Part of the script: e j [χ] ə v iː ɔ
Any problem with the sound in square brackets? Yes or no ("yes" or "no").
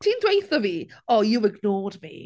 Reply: yes